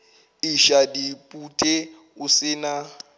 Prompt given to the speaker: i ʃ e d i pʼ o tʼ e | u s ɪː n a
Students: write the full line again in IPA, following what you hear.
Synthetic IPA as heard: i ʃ a d i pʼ u tʼ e | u s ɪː n a

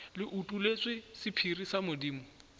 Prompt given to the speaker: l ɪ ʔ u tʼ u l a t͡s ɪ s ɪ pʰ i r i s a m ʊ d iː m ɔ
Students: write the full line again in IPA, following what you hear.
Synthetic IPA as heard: l ɪ ʔ u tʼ u l e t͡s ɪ s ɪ pʰ i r i s a m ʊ d iː m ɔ

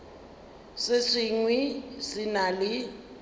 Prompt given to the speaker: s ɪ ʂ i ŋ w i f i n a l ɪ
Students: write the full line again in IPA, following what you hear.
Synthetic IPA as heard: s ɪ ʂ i ŋ w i s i n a l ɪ

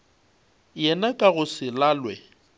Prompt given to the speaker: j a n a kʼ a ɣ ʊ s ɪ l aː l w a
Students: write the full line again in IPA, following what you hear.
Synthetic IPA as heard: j ɛ n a kʼ a ɣ ʊ s ɪ l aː l w ɛ

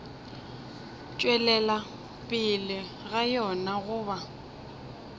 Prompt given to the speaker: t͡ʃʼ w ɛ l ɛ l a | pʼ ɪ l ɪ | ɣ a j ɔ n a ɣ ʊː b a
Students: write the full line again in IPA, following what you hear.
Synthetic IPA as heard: t͡ʃʼ w ɛ l ɛ l a | pʼ ɪ l ɪ | ɣ a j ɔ n a ɣ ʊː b a

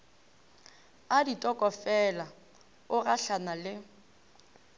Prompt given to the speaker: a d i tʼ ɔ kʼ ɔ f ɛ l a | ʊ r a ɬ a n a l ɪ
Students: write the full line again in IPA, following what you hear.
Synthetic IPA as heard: a d i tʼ ɔ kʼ ɔ f ɛ l a | ʊ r a ɬ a n a l ɪ

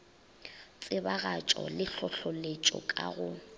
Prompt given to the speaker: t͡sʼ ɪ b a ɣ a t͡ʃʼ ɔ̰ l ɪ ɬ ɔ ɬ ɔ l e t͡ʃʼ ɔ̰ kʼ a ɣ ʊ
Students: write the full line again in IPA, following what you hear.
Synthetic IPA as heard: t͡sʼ ɪ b a ɣ a t͡ʃʼ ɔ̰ l ɪ ɬ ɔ ɬ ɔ l e t͡ʃʼ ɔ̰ kʼ a ɣ ʊ

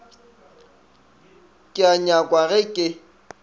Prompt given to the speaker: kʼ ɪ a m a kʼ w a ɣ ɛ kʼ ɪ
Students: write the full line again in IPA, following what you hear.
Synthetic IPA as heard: kʼ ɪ a ɲ a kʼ w a ɣ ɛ kʼ ɪ

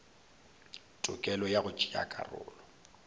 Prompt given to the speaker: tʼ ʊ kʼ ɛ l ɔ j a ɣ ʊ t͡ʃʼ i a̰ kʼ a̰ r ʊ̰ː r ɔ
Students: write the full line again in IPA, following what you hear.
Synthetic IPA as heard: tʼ ʊ kʼ ɛ l ɔ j a ɣ ʊ t͡ʃʼ i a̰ kʼ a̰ r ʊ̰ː l ɔ

